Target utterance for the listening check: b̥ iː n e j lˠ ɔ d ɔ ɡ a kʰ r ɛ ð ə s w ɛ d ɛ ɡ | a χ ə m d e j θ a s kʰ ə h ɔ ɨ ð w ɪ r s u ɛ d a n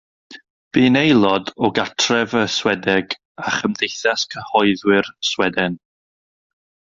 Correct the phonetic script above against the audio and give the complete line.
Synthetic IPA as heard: b̥ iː n e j lˠ ɔ d ɔ ɡ a tʰ r ɛ v ə s w ɛ d ɛ ɡ | a χ ə m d e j θ a s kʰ ə h ɔ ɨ ð w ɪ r s w ɛ d ɛ n